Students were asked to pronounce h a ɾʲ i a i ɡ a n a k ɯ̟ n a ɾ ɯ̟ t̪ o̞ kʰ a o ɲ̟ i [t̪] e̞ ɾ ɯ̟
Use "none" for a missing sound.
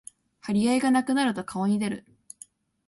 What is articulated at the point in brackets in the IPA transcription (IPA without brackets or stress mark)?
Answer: d̪